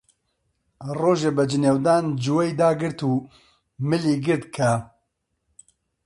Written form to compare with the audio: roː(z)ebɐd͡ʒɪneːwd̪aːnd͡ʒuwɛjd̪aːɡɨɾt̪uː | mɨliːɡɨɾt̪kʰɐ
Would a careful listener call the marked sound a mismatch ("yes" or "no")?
yes